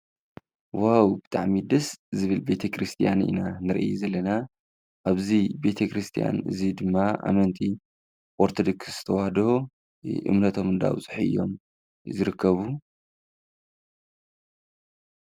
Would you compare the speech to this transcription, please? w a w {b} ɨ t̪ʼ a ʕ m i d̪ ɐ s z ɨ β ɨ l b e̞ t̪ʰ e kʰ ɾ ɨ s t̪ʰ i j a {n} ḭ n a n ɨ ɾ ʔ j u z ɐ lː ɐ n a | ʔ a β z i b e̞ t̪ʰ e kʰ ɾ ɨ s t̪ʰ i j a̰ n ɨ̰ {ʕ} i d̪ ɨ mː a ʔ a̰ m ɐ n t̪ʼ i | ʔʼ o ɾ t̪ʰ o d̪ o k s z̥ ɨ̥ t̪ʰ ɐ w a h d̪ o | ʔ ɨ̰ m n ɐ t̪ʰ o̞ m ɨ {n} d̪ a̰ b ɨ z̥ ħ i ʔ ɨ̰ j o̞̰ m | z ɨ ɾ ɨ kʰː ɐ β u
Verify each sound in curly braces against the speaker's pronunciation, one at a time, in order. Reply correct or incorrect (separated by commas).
correct, correct, incorrect, correct